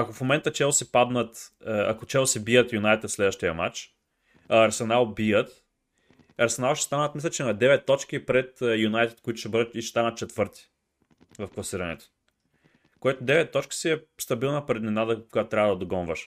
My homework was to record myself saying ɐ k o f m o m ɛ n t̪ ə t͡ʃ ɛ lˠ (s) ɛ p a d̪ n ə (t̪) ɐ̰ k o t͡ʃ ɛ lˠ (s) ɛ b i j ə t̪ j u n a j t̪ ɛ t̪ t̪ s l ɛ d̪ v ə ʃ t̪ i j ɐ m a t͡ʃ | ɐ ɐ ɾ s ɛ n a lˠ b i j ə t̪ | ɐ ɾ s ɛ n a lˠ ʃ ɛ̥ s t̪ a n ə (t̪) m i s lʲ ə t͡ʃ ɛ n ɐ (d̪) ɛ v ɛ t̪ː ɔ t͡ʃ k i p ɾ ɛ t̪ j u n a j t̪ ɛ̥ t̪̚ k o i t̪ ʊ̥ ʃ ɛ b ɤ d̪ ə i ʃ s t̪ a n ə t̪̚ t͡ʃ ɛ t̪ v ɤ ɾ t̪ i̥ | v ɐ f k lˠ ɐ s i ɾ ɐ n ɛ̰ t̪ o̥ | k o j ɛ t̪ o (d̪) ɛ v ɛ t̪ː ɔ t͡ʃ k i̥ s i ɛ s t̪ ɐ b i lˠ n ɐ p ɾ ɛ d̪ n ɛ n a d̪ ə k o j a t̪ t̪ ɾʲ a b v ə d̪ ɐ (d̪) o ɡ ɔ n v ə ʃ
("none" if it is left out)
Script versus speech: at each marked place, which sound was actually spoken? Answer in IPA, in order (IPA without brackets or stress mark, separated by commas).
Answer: s, t̪, s, t̪, d̪, d̪, d̪